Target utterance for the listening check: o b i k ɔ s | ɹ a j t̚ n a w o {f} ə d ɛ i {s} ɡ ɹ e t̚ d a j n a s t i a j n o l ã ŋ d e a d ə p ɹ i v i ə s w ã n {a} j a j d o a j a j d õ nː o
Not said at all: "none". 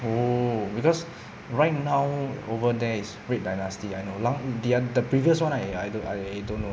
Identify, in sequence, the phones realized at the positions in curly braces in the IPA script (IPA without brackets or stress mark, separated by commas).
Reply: v, s, a